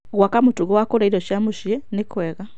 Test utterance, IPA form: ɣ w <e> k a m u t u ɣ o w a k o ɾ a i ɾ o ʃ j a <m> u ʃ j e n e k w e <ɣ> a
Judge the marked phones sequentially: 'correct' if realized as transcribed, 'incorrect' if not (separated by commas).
incorrect, correct, correct